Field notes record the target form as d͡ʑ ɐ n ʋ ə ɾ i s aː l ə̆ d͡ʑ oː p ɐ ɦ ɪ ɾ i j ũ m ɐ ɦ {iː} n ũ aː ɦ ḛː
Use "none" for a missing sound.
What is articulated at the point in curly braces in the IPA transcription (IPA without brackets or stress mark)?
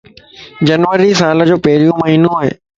iː